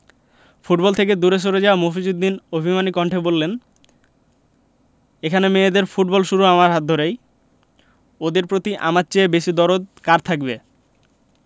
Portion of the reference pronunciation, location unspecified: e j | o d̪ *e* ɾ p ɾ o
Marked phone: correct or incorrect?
correct